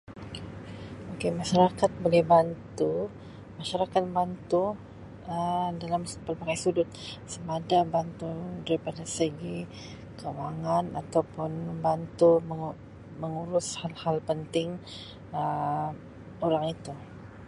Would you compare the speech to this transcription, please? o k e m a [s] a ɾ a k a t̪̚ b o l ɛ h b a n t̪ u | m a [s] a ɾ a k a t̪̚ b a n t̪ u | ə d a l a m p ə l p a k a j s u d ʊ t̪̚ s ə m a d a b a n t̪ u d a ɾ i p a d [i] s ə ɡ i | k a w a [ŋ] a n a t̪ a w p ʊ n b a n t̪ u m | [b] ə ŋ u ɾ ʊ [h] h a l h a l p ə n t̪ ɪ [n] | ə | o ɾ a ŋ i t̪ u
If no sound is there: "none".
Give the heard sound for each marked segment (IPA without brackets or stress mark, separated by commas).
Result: ʃ, ʃ, a, ŋ, m, s, ŋ